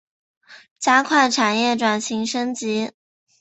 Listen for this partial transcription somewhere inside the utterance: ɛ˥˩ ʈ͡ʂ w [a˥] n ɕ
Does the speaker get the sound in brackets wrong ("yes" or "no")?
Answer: yes